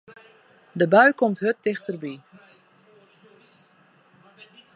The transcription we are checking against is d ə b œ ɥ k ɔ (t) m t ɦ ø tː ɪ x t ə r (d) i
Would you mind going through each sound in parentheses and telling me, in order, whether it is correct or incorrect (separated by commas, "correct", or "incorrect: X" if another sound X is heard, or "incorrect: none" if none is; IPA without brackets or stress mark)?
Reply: incorrect: none, incorrect: b